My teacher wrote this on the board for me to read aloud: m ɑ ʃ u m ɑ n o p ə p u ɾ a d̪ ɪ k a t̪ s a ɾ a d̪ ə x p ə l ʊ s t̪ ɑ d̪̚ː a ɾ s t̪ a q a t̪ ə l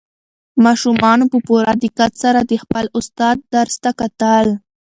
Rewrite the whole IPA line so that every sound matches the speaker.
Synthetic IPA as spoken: m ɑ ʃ u m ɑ n o p ə p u ɾ a d̪ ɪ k a t̪ s a ɾ a d̪ ə x p ə l ʊ s t̪ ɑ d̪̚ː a ɾ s t̪ a k a t̪ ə l